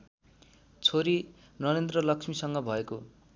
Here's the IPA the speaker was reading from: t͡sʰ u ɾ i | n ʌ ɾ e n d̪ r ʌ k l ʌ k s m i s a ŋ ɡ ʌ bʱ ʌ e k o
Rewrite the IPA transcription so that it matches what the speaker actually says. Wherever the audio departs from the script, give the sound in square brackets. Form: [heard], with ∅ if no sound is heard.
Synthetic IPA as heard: t͡sʰ [o] ɾ i | n ʌ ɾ e n d̪ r ʌ [∅] l ʌ k s m i s [ʌ] ŋ ɡ ʌ bʱ ʌ e k o